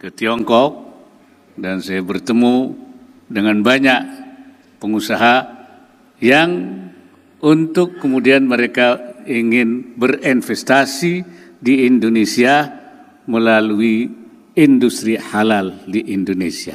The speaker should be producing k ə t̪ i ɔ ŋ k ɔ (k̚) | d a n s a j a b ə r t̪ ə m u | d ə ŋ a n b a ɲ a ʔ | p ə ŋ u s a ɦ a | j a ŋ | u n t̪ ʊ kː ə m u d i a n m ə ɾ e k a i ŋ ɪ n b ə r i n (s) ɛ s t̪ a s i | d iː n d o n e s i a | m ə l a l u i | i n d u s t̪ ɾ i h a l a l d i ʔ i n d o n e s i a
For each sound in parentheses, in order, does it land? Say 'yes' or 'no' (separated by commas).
yes, no